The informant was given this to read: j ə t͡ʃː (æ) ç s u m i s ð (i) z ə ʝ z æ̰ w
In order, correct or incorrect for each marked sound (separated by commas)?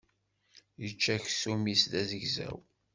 correct, incorrect